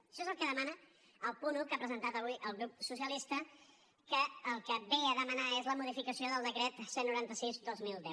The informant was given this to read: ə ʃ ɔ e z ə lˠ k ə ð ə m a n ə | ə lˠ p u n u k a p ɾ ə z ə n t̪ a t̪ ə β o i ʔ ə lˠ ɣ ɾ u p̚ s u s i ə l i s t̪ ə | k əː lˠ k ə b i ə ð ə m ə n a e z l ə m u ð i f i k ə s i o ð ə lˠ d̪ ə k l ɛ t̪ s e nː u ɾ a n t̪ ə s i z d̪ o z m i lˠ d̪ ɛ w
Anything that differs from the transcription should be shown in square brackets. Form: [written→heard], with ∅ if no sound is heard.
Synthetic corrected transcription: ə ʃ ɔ e z ə lˠ k ə ð ə m a n ə | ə lˠ p u n u k a p ɾ ə z ə n t̪ a t̪ ə β [o→u] i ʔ ə lˠ ɣ ɾ u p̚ s u s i ə l i s t̪ ə | k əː lˠ k ə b [i→e] ə ð ə m ə n a e z l ə m u ð i f i k ə s i o ð ə lˠ d̪ ə k [l→ɾ] ɛ t̪ s e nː u ɾ a n t̪ ə s i z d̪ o z m i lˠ d̪ ɛ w

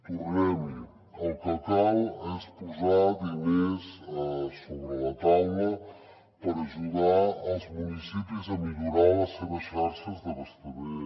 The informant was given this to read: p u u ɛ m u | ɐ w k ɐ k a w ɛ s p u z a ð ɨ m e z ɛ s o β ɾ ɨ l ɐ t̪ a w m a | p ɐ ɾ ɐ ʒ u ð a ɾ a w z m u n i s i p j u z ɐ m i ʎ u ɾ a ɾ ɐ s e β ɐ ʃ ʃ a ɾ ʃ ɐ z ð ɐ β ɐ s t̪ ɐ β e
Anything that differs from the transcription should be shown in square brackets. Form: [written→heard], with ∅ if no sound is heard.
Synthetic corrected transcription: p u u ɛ m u | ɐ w k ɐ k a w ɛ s p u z a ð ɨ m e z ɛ s o β ɾ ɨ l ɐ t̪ a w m [a→ɐ] | p ɐ ɾ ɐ ʒ u ð a ɾ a w z m u n i s i p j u z ɐ m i ʎ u ɾ a ɾ ɐ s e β ɐ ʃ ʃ a ɾ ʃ ɐ z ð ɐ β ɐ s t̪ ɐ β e

